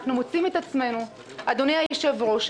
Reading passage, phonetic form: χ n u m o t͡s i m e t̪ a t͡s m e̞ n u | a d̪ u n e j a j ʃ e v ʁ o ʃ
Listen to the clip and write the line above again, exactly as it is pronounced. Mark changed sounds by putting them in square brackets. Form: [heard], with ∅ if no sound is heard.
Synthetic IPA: χ n u m o t͡s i m e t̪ a t͡s m e̞ n u | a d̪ [o] n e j a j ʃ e v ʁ o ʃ